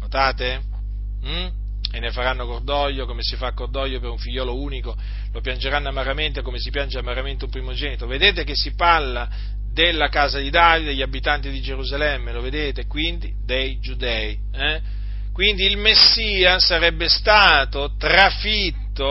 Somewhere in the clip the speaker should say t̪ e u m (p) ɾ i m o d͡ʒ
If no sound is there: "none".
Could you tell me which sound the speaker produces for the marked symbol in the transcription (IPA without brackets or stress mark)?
p